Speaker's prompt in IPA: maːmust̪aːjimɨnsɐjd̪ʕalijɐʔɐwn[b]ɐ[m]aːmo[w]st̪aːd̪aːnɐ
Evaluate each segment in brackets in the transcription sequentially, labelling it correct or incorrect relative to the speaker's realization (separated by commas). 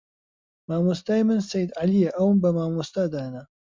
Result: correct, correct, incorrect